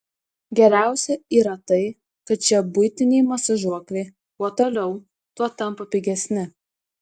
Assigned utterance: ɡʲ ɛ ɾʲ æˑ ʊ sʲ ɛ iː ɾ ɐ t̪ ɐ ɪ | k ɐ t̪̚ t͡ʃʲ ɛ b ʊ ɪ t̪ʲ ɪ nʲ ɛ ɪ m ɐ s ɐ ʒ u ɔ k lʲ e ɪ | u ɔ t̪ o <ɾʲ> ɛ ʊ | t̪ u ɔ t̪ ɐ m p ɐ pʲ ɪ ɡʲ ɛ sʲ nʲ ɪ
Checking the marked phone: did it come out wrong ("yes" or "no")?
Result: yes